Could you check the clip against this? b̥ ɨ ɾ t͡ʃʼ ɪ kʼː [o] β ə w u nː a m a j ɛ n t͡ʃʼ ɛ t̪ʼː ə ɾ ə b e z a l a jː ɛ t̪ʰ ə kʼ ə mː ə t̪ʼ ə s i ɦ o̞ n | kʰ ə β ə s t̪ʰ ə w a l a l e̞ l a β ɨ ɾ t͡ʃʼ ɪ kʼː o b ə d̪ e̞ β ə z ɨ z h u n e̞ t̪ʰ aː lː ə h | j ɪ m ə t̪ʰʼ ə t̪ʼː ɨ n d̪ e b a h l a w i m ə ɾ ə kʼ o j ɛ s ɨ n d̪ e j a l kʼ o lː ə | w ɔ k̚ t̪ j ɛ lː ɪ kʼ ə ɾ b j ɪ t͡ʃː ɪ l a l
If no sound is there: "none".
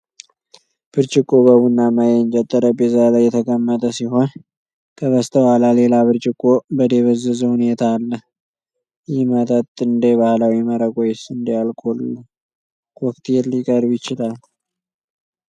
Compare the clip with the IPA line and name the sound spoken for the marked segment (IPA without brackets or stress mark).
o